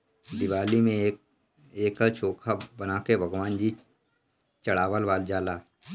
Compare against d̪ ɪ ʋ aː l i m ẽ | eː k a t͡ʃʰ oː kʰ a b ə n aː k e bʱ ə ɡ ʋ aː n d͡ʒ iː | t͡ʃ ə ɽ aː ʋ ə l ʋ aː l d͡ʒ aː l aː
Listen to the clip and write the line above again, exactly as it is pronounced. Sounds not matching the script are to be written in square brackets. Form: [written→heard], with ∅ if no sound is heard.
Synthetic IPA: d̪ ɪ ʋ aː l i m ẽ | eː k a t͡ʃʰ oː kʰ a b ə n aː k e bʱ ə ɡ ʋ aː n d͡ʒ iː | t͡ʃ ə ɽ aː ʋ ə l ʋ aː l d͡ʒ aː l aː